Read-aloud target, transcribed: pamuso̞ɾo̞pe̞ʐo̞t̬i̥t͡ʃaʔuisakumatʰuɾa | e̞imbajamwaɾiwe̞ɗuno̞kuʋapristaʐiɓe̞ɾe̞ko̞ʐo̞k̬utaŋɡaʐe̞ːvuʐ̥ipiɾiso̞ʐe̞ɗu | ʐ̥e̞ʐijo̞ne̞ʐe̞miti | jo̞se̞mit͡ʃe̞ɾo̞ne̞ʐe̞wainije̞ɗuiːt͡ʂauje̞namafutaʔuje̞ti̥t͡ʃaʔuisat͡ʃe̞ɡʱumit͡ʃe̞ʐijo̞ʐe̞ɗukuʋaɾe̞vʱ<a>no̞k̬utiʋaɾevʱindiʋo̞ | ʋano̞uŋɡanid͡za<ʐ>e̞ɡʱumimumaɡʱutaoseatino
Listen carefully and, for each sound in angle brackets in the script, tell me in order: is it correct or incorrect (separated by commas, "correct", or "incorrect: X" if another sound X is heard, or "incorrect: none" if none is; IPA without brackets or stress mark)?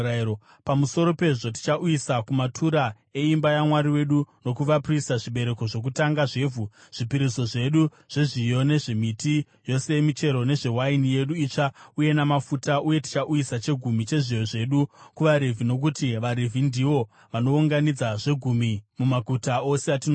incorrect: i, correct